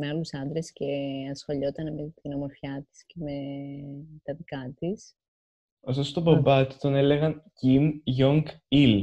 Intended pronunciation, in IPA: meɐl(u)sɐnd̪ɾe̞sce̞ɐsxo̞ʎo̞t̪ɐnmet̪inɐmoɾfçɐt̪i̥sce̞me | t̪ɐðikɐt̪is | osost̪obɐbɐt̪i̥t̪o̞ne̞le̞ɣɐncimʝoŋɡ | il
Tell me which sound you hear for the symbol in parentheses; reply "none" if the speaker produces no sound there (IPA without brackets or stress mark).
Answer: u